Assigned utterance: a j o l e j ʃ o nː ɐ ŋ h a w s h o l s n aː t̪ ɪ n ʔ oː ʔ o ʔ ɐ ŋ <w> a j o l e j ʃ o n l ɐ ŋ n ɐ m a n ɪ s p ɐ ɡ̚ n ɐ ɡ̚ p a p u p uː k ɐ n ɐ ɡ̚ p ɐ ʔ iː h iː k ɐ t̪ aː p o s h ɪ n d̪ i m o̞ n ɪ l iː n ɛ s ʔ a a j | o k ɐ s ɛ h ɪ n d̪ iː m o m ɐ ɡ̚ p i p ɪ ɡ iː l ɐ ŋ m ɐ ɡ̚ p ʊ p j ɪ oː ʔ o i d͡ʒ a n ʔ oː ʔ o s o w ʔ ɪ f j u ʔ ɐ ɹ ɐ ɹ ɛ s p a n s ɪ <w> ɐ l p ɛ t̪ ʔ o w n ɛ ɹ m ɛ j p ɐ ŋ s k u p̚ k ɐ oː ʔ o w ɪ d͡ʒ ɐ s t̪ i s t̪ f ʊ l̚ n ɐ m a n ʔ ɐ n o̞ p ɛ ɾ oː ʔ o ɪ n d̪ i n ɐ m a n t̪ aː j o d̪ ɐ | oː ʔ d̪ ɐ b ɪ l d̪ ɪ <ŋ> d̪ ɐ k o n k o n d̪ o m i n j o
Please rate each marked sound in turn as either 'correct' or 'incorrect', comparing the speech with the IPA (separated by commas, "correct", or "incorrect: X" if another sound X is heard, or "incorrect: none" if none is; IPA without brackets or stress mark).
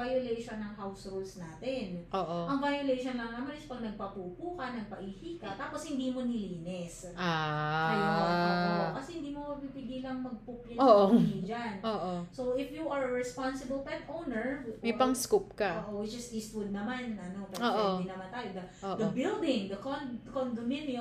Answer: incorrect: v, incorrect: b, correct